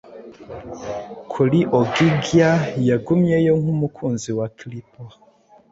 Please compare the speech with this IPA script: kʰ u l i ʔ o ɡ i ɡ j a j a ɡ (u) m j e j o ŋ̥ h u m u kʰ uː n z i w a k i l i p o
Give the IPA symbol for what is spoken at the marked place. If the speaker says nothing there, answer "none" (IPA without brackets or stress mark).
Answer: u